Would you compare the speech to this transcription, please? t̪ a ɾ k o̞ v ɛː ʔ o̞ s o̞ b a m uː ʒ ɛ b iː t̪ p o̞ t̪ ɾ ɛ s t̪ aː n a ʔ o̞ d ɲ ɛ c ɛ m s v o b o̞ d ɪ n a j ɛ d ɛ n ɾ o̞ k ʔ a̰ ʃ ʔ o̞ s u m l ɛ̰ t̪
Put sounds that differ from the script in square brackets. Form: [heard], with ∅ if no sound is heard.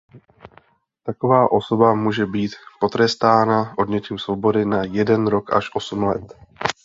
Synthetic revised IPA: t̪ a [∅] k o̞ v [aː] ʔ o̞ s o̞ b a m uː ʒ ɛ b iː t̪ p o̞ t̪ ɾ ɛ s t̪ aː n a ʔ o̞ d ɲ ɛ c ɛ m s v o b o̞ d ɪ n a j ɛ d ɛ n ɾ o̞ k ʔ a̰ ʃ ʔ o̞ s u m l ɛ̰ t̪